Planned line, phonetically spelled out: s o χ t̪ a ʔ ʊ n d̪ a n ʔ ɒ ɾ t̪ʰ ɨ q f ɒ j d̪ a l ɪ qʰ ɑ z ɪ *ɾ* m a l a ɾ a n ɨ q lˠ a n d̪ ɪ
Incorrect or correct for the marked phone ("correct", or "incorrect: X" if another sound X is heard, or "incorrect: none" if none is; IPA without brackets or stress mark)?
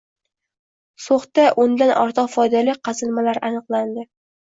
incorrect: l